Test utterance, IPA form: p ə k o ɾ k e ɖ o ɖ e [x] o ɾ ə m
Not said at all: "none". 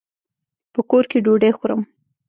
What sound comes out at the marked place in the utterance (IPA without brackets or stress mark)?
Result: x